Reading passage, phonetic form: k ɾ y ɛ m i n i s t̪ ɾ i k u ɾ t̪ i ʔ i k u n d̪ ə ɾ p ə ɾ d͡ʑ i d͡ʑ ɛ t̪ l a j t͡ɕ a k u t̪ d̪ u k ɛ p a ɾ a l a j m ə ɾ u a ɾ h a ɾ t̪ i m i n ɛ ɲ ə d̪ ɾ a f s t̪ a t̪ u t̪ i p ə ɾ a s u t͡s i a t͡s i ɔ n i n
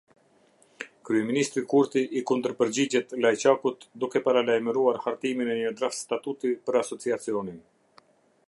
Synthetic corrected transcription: k ɾ y ɛ m i n i s t̪ ɾ i k u ɾ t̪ i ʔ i k u n d̪ ə ɾ p ə ɾ d͡ʑ i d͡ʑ ɛ t̪ l a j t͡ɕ a k u t̪ d̪ u k ɛ p a ɾ a l a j m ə ɾ u a ɾ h a ɾ t̪ i m i n ɛ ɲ ə d̪ ɾ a f s t̪ a t̪ u t̪ i p ə ɾ a s ɔ t͡s i a t͡s i ɔ n i n